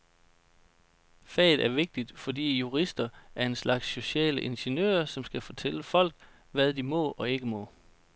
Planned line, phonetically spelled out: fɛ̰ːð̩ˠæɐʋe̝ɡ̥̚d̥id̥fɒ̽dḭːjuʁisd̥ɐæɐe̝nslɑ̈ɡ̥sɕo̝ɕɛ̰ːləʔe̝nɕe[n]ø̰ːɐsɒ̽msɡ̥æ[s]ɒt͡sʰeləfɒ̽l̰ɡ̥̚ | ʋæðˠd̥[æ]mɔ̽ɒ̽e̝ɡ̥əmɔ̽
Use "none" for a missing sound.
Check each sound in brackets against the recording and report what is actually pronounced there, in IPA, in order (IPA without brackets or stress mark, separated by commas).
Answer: n, f, i